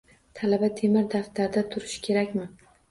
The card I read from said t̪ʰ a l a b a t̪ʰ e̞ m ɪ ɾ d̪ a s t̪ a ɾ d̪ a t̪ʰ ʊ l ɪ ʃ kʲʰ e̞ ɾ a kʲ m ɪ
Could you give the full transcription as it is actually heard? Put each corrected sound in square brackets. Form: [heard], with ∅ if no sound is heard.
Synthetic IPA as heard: t̪ʰ a l a b a t̪ʰ e̞ m ɪ ɾ d̪ a [f] t̪ a ɾ d̪ a t̪ʰ ʊ [ɾ] ɪ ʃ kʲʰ e̞ ɾ a kʲ m ɪ